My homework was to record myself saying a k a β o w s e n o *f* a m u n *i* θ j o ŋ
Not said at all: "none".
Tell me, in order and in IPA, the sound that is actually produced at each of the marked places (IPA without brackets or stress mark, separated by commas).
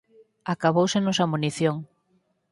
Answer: s, i